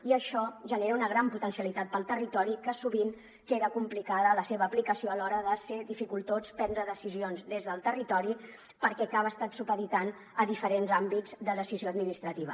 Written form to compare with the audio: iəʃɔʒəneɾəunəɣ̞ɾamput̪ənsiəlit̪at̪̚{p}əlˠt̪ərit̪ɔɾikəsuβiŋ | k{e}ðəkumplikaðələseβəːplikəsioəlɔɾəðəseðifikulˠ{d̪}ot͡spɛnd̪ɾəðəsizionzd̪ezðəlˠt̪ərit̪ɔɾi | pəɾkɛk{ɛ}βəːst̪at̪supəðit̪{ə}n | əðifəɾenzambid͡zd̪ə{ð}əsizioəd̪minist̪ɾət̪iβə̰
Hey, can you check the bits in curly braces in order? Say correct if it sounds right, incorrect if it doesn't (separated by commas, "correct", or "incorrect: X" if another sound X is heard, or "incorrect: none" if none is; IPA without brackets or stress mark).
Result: correct, correct, incorrect: t̪, incorrect: a, incorrect: a, correct